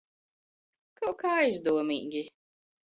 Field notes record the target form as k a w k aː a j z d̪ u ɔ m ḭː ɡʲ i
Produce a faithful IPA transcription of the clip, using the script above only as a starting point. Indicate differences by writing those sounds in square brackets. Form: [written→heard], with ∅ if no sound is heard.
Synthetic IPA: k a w k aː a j z d̪ u ɔ m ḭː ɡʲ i